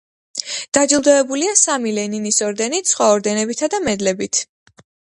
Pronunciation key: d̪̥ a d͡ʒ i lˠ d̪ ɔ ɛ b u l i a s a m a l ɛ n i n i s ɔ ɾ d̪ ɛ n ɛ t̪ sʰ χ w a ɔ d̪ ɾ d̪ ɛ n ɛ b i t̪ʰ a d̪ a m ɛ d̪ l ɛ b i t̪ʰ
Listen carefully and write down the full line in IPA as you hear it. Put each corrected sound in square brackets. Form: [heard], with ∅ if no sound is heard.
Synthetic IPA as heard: d̪̥ a d͡ʒ i lˠ d̪ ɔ ɛ b u l i a s a m [i] l ɛ n i n i s ɔ ɾ d̪ ɛ n [i] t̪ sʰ χ w a ɔ [∅] ɾ d̪ ɛ n ɛ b i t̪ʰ a d̪ a m ɛ d̪ l ɛ b i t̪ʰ